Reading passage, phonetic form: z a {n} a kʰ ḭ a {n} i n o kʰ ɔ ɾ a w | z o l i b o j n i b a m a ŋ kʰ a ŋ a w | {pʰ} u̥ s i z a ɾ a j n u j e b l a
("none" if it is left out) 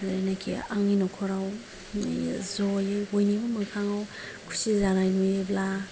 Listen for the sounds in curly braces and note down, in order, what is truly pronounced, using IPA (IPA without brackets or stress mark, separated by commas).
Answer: n, ŋ, kʰ